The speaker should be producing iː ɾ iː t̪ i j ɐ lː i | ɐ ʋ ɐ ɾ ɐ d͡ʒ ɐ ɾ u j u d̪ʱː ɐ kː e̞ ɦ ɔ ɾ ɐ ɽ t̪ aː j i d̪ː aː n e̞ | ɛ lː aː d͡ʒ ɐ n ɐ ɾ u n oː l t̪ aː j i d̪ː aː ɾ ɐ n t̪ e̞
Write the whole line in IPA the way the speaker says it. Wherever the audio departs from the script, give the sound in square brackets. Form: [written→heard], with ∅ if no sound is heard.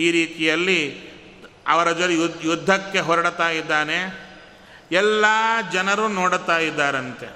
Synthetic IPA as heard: iː ɾ iː t̪ i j ɐ lː i | ɐ ʋ ɐ ɾ ɐ d͡ʒ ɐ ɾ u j u d̪ʱː ɐ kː e̞ ɦ ɔ ɾ ɐ ɽ t̪ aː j i d̪ː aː n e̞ | ɛ lː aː d͡ʒ ɐ n ɐ ɾ u n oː [l→ɽ] t̪ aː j i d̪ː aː ɾ ɐ n t̪ e̞